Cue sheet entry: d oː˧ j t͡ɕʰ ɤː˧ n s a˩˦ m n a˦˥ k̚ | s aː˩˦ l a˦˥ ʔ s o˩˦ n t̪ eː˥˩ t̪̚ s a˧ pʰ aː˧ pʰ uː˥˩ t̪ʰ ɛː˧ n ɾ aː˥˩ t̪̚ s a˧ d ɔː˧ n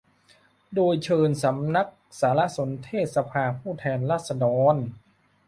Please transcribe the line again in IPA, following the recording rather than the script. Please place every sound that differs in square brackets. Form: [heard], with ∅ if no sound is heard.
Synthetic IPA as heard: d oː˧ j t͡ɕʰ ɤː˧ n s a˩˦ m n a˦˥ k̚ | s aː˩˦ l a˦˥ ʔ s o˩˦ n [t̪ʰ] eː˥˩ t̪̚ s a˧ pʰ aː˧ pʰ uː˥˩ t̪ʰ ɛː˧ n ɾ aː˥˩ t̪̚ s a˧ d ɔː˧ n